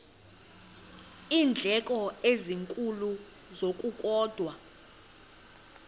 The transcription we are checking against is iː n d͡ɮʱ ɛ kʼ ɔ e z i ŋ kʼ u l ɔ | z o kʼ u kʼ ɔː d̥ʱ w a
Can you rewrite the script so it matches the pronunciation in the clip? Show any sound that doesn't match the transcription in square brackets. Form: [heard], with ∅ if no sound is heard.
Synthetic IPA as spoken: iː n d͡ɮʱ ɛ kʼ ɔ e z i ŋ kʼ u l [u] | z o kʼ u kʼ ɔː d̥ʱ w a